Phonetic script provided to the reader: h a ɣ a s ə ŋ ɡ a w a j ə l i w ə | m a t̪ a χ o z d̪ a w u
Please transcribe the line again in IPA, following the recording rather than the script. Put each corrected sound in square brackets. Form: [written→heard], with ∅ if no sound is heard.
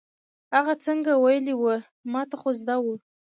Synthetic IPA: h a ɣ a [s→t͡s] ə ŋ ɡ a w a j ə l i w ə | m [a→ɑ] t̪ a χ o z d̪ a w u